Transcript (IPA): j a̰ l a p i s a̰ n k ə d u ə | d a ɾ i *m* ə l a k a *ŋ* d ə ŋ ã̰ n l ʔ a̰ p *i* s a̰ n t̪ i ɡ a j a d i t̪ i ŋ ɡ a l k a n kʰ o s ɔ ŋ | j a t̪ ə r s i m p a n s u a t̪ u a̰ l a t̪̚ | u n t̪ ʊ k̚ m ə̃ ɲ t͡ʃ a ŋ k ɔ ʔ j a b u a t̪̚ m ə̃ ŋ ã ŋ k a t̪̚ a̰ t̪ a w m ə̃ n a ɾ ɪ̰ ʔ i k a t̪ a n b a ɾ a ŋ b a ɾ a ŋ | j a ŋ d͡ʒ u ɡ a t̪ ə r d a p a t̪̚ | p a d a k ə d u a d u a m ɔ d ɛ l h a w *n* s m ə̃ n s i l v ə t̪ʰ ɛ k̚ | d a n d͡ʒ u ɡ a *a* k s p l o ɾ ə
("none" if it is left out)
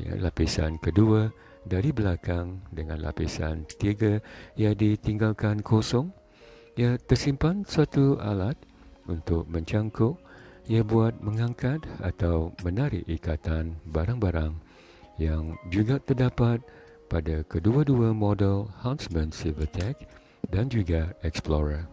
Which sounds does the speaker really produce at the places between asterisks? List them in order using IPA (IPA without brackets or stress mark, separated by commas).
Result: b, ŋ, i, n, ɛ